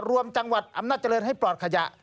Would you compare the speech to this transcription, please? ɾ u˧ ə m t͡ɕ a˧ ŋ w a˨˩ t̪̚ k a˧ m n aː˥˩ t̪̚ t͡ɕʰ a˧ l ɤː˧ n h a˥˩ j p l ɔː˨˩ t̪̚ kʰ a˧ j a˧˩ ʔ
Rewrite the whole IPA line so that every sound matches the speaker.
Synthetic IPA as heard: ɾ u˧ ə m t͡ɕ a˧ ŋ w a˨˩ t̪̚ ʔ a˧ m n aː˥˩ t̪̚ t͡ɕ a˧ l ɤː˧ n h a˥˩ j p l ɔː˨˩ t̪̚ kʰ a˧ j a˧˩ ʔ